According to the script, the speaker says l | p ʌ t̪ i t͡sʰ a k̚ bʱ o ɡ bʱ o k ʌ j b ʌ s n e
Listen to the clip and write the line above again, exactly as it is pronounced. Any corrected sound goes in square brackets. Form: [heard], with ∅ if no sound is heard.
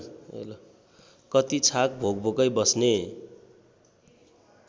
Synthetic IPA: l | [k] ʌ t̪ i t͡sʰ a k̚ bʱ o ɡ bʱ o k ʌ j b ʌ s n e